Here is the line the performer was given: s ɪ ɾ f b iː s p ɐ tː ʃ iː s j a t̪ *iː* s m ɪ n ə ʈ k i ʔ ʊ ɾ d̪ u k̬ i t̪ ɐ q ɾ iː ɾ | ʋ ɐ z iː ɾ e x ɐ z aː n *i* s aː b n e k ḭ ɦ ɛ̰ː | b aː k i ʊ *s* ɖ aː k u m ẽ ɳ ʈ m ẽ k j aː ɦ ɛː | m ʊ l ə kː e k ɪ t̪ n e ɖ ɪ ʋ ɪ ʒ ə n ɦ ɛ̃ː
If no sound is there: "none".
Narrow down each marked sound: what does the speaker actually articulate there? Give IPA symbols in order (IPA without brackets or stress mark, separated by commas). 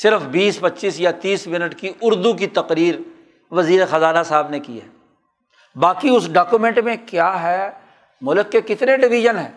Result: iː, a, s